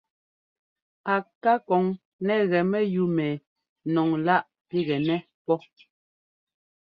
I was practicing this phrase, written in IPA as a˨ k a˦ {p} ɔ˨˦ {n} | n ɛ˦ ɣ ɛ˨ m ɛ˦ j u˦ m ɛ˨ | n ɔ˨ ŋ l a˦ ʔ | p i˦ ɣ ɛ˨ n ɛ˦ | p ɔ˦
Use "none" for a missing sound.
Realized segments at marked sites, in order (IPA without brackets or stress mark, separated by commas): k, ŋ